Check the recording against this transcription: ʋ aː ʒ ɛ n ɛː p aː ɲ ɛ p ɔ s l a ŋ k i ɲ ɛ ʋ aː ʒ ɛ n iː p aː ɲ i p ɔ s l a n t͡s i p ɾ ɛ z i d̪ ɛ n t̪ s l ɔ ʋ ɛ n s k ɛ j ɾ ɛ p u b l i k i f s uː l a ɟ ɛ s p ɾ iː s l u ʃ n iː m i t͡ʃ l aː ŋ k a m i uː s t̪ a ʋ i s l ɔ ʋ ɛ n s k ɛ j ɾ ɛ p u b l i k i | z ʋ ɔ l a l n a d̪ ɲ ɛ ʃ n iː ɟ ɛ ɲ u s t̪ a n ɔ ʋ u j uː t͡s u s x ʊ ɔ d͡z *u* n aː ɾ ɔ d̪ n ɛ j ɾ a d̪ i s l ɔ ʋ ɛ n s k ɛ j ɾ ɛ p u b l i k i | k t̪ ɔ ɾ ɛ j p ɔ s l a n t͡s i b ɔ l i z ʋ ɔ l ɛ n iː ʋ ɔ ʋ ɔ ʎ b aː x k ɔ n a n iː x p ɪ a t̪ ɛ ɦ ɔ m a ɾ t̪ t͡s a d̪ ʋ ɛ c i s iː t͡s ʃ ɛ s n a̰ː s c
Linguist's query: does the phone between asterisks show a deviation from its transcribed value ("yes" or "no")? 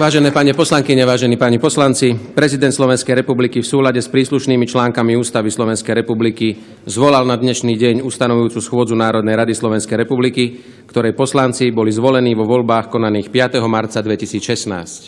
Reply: no